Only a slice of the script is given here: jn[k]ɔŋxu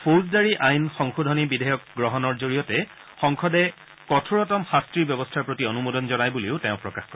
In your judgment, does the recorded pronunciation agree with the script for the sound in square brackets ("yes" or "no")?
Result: no